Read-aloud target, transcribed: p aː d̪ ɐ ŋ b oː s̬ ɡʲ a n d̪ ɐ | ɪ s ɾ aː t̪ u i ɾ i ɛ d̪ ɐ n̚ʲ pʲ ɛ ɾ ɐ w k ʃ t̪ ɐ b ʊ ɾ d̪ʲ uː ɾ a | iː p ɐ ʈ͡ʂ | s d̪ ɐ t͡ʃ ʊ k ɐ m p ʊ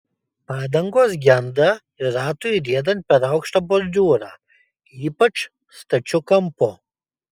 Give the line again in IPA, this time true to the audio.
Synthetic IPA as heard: p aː d̪ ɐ ŋ ɡ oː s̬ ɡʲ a n d̪ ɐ | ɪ ɾ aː t̪ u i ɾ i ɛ d̪ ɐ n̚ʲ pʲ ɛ ɾ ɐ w k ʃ t̪ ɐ b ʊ ɾ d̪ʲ uː ɾ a | iː p ɐ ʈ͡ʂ | s t̪ ɐ t͡ʃ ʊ k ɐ m p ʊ

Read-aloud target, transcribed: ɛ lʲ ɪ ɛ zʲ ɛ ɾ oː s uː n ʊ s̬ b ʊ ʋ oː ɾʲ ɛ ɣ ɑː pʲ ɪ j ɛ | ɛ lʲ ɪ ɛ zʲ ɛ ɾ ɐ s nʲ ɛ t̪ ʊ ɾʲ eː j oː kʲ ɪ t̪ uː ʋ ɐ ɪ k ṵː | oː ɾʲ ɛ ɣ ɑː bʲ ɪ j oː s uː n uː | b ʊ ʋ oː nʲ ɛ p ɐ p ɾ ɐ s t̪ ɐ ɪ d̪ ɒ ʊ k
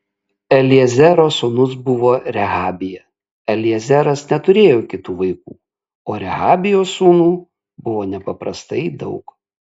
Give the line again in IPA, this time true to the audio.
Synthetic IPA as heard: ɛ lʲ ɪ ɛ zʲ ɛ ɾ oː s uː n ʊ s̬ b ʊ ʋ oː ɾʲ ɛ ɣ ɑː bʲ ɪ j ɛ | ɛ lʲ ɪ ɛ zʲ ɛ ɾ ɐ s nʲ ɛ t̪ ʊ ɾʲ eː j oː kʲ ɪ t̪ uː ʋ ɐ ɪ k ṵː | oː ɾʲ ɛ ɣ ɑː bʲ ɪ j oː s uː n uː | b ʊ ʋ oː nʲ ɛ p ɐ p ɾ ɐ s t̪ ɐ ɪ d̪ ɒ ʊ k

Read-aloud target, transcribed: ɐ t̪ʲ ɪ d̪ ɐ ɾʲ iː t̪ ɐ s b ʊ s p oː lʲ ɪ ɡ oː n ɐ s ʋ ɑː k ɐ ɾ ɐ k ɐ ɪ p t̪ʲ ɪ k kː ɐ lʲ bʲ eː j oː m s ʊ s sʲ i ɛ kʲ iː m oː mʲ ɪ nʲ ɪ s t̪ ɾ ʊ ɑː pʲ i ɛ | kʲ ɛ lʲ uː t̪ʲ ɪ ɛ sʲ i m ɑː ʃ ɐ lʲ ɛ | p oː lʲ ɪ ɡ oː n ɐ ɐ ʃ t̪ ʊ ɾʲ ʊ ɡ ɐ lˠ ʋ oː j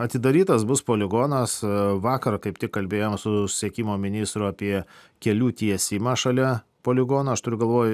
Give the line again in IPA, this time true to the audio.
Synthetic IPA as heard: ɐ t̪ʲ ɪ d̪ ɐ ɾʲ iː t̪ ɐ s b ʊ s p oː lʲ ɪ ɡ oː n ɐ s ʋ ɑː k ɐ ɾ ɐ k ɐ ɪ p t̪ʲ ɪ k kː ɐ lʲ bʲ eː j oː m s ʊ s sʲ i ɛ kʲ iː m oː mʲ ɪ nʲ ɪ s t̪ ɾ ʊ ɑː pʲ i ɛ | kʲ ɛ lʲ uː t̪ʲ i ɛ sʲ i m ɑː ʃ ɐ lʲ ɛ | p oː lʲ ɪ ɡ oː n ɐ ɐ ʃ t̪ ʊ ɾʲ ʊ ɡ ɐ lˠ ʋ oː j

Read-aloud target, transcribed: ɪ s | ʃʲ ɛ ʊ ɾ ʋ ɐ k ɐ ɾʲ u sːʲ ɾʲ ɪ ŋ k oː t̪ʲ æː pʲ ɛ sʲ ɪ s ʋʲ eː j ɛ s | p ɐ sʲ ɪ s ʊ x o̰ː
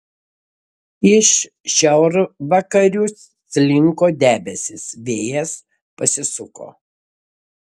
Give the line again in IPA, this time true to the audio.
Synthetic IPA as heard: ɪ ʃ | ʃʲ ɛ ʊ ɾ ʋ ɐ k ɐ ɾʲ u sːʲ lʲ ɪ ŋ k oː d̪ʲ æː bʲ ɛ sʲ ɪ s ʋʲ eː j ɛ s | p ɐ sʲ ɪ s ʊ k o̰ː

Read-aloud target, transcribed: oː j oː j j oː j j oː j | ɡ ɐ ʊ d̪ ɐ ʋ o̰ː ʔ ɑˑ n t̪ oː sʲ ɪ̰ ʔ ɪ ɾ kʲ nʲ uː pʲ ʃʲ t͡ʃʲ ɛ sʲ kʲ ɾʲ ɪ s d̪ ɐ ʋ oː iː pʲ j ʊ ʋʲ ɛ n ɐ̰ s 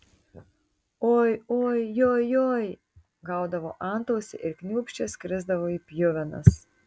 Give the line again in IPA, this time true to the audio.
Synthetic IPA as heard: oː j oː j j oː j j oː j | ɡ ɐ ʊ d̪ ɐ ʋ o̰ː ʔ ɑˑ n t̪ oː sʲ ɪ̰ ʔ ɪ ɾ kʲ nʲ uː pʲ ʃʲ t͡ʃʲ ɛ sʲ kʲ ɾʲ ɪ z d̪ ɐ ʋ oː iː pʲ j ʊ ʋʲ ɛ n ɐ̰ s

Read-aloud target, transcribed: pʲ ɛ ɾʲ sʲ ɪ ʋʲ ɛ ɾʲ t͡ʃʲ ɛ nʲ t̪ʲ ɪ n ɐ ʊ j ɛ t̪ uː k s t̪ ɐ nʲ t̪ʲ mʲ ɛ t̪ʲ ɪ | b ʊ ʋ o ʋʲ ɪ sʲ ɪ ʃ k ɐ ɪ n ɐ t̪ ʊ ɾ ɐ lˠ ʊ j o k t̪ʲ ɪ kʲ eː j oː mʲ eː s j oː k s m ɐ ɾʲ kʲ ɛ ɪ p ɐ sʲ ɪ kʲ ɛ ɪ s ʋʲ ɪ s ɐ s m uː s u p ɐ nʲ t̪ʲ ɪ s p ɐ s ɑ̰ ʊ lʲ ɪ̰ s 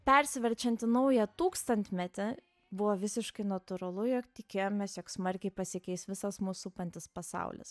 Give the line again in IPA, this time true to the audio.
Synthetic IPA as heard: pʲ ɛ ɾʲ sʲ ɪ ʋʲ ɛ ɾʲ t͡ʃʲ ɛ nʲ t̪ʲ ɪ n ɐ ʊ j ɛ t̪ uː k s t̪ ɐ nʲ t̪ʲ mʲ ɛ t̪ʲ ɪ | b ʊ ʋ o ʋʲ ɪ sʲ ɪ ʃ k ɐ ɪ n ɐ t̪ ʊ ɾ ɐ lˠ ʊ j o k t̪ʲ ɪ kʲ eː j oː mʲ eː s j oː k s m ɐ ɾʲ kʲ ɛ ɪ p ɐ sʲ ɪ kʲ ɛ ɪ s ʋʲ ɪ s ɐ s m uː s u p ɐ nʲ t̪ʲ ɪ s p ɐ s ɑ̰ ʊ lʲ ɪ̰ s

